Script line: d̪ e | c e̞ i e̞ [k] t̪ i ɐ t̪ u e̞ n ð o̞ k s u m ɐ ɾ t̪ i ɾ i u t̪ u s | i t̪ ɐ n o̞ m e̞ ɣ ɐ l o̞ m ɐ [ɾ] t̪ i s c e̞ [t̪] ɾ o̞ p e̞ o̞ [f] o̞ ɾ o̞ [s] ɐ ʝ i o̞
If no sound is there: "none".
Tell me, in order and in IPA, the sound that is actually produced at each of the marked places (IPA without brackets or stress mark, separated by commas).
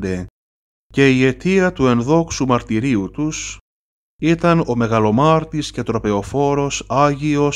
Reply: none, ɾ, t̪, f, s